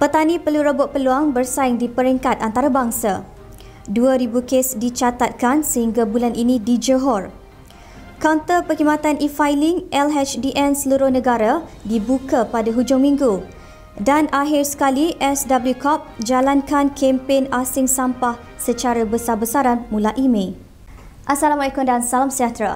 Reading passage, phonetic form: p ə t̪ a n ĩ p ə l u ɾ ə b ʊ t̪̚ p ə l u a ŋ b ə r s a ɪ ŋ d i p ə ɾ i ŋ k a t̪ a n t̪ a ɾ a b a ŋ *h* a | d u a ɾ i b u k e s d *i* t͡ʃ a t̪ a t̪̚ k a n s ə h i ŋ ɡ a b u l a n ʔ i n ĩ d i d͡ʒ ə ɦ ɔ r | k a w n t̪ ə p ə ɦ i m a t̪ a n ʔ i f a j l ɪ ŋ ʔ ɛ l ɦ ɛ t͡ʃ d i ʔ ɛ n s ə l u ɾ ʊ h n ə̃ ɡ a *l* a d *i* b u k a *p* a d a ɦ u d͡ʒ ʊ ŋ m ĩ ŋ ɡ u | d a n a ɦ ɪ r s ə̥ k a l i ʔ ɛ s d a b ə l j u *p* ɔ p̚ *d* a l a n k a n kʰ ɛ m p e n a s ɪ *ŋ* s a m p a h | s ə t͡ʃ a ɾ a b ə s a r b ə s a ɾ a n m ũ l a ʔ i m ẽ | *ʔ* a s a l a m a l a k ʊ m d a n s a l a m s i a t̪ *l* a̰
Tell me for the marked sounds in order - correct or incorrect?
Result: incorrect: s, correct, incorrect: ɾ, correct, correct, incorrect: k, incorrect: d͡ʒ, correct, correct, incorrect: ɾ

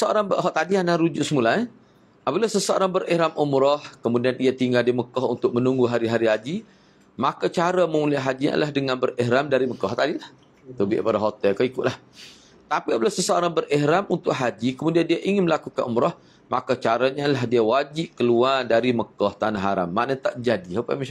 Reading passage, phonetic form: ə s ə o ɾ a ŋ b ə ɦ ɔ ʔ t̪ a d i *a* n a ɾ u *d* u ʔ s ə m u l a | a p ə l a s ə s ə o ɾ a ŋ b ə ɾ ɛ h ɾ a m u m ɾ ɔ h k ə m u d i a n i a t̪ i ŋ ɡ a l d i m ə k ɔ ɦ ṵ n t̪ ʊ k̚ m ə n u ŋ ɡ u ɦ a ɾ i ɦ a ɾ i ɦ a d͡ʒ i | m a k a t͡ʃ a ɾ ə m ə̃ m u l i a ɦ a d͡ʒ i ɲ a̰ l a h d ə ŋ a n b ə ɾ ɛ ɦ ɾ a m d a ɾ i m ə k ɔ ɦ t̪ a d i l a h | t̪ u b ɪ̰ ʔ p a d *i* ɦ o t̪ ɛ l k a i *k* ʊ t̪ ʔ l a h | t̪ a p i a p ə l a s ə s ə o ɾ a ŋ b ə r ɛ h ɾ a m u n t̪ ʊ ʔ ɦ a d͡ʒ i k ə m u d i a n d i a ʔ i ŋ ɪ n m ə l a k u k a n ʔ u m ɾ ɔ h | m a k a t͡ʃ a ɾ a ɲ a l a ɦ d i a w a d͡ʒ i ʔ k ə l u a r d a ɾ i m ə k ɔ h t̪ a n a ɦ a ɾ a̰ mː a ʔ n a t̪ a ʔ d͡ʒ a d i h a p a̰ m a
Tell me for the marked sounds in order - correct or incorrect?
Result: correct, incorrect: d͡ʒ, incorrect: a, correct

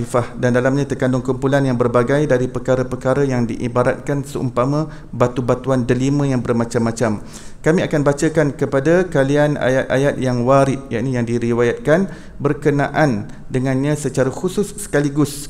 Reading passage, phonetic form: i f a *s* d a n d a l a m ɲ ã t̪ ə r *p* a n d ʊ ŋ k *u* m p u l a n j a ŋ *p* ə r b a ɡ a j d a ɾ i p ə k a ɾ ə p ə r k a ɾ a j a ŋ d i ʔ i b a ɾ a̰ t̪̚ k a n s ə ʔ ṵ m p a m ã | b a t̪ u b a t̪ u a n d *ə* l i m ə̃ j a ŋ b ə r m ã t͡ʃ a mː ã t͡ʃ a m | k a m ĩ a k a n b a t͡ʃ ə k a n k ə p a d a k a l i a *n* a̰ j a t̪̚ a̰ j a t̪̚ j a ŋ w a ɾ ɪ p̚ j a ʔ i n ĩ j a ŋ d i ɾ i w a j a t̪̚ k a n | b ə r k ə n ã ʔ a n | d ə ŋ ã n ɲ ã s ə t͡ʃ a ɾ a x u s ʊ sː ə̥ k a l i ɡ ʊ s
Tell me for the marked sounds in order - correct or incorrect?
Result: incorrect: h, incorrect: k, correct, incorrect: b, correct, correct

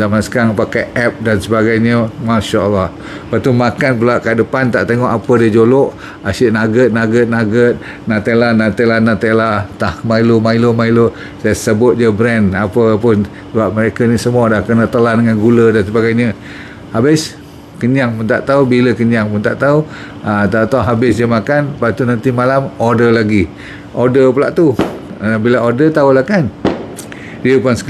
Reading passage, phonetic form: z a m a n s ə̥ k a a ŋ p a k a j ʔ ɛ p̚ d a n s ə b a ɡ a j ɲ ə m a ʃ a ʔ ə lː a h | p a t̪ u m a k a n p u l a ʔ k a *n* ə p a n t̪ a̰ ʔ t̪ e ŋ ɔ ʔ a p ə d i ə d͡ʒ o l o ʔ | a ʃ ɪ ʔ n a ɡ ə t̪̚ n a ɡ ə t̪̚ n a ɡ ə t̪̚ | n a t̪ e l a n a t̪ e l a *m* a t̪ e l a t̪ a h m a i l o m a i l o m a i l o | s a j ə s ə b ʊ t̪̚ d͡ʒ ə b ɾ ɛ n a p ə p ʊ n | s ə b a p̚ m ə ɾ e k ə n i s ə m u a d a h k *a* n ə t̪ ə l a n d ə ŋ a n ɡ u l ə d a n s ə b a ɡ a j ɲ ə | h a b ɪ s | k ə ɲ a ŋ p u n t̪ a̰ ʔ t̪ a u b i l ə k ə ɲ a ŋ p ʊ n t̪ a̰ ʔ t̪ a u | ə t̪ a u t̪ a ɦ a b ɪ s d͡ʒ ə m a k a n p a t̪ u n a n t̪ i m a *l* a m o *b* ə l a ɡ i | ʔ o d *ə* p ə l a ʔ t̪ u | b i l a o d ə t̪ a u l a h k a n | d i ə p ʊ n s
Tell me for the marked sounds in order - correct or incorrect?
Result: incorrect: d, incorrect: n, incorrect: ə, correct, incorrect: d, correct

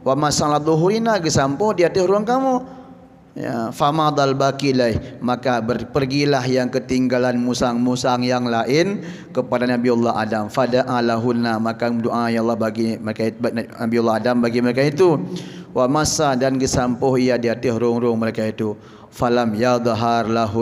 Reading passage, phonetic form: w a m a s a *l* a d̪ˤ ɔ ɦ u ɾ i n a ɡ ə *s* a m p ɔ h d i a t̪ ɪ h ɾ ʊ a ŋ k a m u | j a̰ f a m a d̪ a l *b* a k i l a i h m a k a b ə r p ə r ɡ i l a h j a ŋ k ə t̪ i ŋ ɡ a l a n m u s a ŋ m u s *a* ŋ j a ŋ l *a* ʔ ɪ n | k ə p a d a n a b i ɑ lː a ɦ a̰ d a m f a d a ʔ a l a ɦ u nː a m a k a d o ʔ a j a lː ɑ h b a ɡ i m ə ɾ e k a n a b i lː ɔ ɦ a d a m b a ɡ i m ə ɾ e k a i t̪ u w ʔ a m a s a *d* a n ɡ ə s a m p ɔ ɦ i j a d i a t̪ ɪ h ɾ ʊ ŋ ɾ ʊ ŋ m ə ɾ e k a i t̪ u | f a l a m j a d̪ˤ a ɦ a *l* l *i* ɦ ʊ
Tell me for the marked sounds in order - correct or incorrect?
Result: correct, correct, correct, correct, correct, correct, incorrect: r, incorrect: a

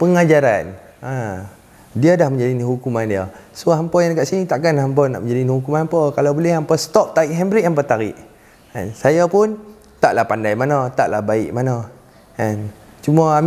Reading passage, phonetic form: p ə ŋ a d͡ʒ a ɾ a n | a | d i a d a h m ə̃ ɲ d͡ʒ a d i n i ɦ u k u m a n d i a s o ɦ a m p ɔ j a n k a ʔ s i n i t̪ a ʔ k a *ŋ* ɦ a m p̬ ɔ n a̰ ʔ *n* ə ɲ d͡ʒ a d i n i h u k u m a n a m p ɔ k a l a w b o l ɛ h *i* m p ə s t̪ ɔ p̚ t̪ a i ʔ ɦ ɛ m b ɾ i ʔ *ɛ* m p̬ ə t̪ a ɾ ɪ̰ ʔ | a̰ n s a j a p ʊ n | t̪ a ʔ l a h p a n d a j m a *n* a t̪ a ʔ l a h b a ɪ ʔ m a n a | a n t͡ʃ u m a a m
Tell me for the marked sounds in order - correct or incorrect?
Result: incorrect: n, incorrect: m, incorrect: a, incorrect: a, correct

